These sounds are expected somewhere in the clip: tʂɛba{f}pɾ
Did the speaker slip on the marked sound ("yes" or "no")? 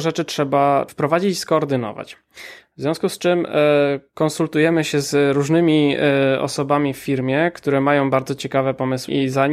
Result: no